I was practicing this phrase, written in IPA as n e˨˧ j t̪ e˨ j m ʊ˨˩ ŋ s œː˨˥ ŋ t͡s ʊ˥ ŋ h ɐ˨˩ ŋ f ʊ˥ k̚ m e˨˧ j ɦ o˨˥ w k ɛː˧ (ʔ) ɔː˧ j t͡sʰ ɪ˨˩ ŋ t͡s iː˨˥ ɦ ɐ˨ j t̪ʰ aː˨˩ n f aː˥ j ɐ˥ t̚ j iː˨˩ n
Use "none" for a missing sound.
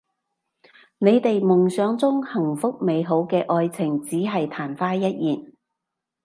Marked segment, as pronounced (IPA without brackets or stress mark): ʔ